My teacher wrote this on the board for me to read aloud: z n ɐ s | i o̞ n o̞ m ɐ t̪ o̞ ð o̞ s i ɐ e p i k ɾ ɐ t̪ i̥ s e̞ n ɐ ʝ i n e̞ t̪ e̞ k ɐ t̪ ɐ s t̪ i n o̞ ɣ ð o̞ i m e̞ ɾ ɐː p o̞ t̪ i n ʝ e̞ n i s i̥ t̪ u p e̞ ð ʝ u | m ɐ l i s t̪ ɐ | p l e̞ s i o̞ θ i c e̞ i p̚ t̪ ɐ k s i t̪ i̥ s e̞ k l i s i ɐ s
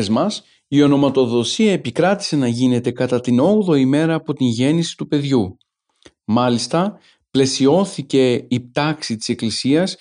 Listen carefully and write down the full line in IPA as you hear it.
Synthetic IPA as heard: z m ɐ s | i o̞ n o̞ m ɐ t̪ o̞ ð o̞ s i ɐ e p i k ɾ ɐ t̪ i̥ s e̞ n ɐ ʝ i n e̞ t̪ e̞ k ɐ t̪ ɐ t̪ i n o̞ ɣ ð o̞ i m e̞ ɾ ɐː p o̞ t̪ i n ʝ e̞ n i s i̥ t̪ u p e̞ ð ʝ u | m ɐ l i s t̪ ɐ | p l e̞ s i o̞ θ i c e̞ i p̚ t̪ ɐ k s i t̪ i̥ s e̞ k l i s i ɐ s